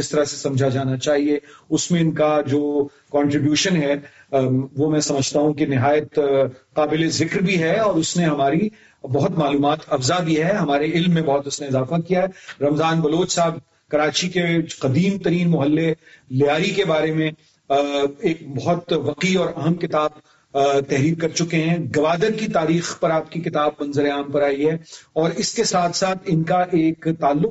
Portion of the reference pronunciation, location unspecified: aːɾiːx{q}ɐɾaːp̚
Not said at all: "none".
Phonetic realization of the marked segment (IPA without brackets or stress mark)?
p